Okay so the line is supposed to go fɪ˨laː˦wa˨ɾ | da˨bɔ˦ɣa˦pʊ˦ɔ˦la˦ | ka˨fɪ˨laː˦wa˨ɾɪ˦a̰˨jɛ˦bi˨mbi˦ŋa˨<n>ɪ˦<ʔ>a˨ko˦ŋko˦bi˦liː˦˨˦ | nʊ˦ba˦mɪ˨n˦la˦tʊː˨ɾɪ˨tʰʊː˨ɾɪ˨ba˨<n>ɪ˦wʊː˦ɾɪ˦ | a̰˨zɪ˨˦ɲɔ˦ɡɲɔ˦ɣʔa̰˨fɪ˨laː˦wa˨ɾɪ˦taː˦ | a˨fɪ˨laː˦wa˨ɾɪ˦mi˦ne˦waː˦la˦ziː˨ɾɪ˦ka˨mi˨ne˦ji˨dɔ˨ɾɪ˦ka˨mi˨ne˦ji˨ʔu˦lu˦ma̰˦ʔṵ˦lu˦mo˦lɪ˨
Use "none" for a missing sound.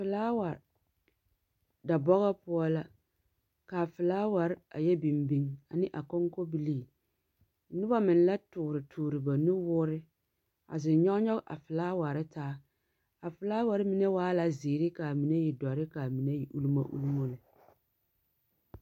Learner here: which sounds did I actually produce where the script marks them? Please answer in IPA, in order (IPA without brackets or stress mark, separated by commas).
n, ʔ, n